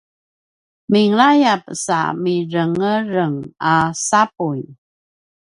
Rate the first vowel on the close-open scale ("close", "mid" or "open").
close